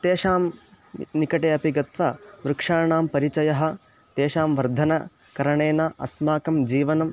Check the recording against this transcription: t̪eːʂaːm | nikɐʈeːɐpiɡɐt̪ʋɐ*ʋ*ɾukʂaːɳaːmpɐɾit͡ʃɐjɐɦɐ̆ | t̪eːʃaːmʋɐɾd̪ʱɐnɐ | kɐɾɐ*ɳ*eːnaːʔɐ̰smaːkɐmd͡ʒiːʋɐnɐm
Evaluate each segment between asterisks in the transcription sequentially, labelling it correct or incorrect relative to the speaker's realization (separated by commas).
correct, correct